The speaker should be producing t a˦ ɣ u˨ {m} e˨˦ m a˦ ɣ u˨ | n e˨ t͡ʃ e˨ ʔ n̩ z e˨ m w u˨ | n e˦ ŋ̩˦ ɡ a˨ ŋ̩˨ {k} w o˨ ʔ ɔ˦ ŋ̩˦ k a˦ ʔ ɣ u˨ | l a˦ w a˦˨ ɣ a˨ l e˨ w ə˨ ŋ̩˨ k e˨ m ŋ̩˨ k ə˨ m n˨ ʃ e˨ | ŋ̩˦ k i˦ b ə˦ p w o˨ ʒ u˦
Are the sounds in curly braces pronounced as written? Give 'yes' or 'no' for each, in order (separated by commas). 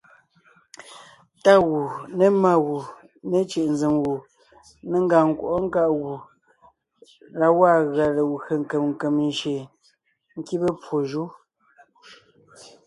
no, yes